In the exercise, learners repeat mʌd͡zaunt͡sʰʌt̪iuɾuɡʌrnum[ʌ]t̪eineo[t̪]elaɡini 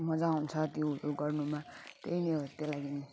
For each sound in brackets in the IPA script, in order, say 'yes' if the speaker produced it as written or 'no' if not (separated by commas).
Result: no, yes